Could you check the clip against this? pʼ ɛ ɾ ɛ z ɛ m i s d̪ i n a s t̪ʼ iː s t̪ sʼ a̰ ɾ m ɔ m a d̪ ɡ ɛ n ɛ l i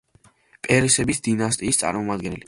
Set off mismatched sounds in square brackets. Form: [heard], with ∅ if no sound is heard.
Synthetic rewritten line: pʼ ɛ ɾ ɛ [s] ɛ [b] i s d̪ i n a s t̪ʼ iː s t̪ sʼ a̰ ɾ m ɔ m a d̪ ɡ ɛ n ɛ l i